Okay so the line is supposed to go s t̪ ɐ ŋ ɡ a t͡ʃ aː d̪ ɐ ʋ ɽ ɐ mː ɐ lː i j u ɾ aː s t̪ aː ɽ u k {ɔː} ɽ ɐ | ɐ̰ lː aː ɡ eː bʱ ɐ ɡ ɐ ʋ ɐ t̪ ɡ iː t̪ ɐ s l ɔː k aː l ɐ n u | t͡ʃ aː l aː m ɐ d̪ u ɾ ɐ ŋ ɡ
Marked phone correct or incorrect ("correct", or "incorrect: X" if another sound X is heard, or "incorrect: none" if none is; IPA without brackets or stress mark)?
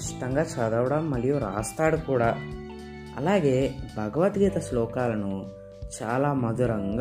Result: incorrect: uː